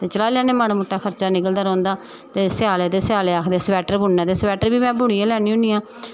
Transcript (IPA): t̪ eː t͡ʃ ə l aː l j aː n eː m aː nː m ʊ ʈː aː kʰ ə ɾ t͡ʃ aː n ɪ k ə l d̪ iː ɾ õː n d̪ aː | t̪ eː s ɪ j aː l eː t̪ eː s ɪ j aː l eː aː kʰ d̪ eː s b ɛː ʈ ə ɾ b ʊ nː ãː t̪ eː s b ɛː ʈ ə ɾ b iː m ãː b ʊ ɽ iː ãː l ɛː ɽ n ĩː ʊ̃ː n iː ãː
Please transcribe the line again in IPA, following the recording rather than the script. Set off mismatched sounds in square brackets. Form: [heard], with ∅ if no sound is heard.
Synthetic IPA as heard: t̪ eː t͡ʃ ə l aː l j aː n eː m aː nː m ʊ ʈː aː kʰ ə ɾ t͡ʃ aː n ɪ k ə l d̪ [aː] ɾ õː n d̪ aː | t̪ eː s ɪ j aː l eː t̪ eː s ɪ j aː l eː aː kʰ d̪ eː s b ɛː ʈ ə ɾ b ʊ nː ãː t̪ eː s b ɛː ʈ ə ɾ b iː m [ɛ̃ː] b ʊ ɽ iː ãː l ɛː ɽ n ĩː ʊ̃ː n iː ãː